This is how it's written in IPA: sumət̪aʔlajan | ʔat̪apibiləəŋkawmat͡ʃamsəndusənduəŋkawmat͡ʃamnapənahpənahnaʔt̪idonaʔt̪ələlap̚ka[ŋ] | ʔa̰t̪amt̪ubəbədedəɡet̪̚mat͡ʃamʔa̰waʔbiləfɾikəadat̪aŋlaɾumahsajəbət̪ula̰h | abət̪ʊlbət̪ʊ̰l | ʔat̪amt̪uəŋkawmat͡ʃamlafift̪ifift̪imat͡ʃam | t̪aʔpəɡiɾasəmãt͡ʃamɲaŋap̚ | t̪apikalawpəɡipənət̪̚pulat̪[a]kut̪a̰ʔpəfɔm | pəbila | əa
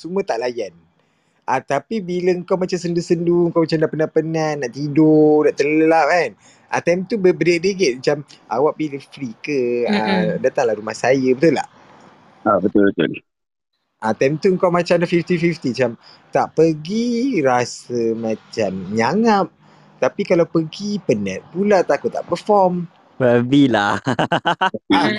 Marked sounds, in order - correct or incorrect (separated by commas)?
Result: incorrect, correct